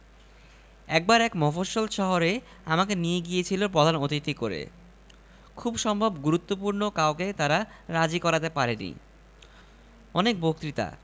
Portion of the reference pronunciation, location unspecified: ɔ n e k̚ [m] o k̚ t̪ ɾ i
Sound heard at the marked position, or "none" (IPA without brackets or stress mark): b